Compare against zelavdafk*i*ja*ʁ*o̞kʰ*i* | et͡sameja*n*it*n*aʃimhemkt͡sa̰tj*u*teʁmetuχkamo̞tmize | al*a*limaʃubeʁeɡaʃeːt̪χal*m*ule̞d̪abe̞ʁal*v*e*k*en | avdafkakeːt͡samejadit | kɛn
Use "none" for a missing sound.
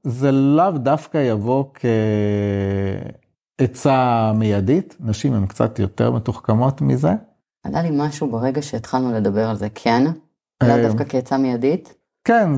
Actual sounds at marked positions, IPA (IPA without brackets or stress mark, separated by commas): a, v, e, d, n, o, a, n, z, kʰ